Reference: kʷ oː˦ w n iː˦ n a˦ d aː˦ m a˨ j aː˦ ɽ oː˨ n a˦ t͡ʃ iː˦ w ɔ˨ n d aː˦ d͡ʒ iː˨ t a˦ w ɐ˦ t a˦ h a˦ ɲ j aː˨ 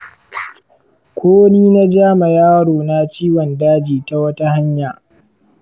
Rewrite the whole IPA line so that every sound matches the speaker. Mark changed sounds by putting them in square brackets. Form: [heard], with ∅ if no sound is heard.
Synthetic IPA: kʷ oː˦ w n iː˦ n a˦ [d͡ʒ] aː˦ m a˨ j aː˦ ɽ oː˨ n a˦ t͡ʃ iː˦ w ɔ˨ n d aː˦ d͡ʒ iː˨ t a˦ w ɐ˦ t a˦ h a˦ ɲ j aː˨